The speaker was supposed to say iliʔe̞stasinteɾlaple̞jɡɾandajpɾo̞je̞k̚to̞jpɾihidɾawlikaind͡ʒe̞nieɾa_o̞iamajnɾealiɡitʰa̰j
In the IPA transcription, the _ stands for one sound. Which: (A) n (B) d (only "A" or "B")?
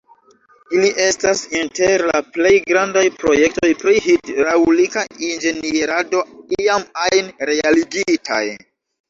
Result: B